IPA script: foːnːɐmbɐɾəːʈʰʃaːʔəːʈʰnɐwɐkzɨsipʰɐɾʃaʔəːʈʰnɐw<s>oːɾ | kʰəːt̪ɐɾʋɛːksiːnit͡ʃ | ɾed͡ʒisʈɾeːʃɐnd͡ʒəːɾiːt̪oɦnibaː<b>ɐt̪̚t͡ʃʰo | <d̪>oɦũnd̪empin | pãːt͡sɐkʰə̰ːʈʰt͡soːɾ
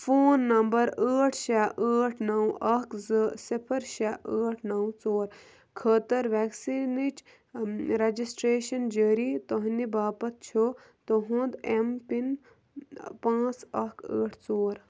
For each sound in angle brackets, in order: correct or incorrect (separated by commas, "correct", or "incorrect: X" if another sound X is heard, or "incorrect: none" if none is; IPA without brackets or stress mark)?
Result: incorrect: t͡s, incorrect: p, incorrect: t̪